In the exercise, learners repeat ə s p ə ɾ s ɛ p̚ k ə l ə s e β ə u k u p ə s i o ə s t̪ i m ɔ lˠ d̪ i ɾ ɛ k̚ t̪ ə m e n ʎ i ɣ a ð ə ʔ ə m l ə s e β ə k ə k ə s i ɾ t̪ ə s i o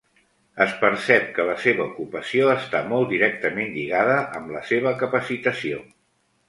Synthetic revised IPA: ə s p ə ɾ s ɛ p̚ k ə l ə s e β ə u k u p ə s i o ə s t̪ a m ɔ lˠ d̪ i ɾ ɛ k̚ t̪ ə m e n ʎ i ɣ a ð ə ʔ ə m l ə s e β ə k ə p ə s i t̪ ə s i o